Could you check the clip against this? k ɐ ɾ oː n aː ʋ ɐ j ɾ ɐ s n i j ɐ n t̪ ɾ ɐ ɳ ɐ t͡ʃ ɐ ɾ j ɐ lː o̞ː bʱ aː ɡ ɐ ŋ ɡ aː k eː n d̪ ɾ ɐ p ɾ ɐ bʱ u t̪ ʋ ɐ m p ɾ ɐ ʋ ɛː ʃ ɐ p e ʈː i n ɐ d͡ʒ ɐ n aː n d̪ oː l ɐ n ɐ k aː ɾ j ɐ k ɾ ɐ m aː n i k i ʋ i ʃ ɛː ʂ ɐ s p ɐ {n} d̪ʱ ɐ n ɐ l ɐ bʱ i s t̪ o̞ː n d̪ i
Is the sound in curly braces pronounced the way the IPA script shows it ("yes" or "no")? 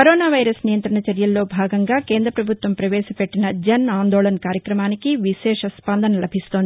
yes